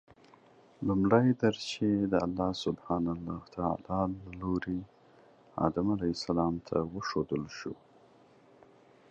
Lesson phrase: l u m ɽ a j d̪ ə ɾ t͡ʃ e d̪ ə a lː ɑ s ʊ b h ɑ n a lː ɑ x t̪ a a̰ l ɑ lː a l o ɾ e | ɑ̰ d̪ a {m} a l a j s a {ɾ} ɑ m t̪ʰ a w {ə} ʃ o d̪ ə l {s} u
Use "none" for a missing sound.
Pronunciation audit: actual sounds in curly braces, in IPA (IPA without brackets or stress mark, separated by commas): m, l, ə, ʃ